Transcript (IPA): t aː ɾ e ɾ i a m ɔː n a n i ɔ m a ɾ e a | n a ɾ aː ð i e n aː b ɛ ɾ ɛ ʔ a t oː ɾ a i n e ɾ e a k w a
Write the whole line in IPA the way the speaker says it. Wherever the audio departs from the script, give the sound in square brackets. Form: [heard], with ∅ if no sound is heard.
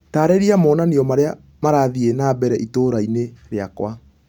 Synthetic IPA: t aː ɾ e ɾ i a m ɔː n a n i ɔ m a ɾ e a | [m] a ɾ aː ð i e n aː b ɛ ɾ ɛ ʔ [i] t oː ɾ a i n e ɾ e a k w a